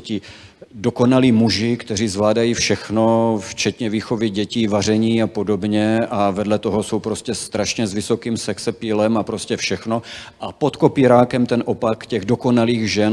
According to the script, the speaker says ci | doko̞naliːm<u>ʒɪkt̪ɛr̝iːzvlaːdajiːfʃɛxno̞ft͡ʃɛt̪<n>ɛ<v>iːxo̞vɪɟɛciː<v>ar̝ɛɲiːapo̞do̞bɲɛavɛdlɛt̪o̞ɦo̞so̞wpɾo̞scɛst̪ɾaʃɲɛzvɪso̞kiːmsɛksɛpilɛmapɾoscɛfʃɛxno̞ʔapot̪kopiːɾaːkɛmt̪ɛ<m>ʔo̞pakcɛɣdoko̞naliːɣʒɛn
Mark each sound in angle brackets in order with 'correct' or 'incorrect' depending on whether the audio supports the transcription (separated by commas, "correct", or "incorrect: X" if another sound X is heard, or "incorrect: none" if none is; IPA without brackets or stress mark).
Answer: correct, incorrect: ɲ, correct, correct, incorrect: n